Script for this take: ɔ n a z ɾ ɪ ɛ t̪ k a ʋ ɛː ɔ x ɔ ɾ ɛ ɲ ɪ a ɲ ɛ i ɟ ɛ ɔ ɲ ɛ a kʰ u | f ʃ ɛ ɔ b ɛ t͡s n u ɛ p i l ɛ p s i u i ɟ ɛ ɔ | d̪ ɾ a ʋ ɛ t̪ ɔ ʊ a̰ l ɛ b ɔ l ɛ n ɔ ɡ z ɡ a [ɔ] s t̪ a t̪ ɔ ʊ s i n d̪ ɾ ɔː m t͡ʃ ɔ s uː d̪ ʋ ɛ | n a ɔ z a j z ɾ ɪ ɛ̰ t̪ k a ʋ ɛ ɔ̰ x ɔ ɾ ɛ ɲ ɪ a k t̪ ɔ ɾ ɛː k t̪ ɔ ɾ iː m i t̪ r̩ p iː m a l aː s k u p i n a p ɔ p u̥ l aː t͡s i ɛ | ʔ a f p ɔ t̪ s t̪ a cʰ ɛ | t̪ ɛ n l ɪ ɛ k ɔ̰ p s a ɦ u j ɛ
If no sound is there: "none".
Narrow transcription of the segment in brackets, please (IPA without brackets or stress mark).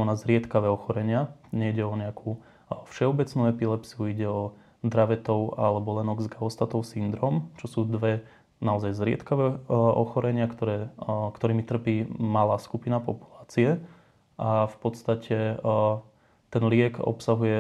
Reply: ɔ